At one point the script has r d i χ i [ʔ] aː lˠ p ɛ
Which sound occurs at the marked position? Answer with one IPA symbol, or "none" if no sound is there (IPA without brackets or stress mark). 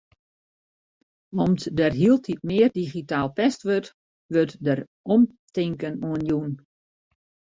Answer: t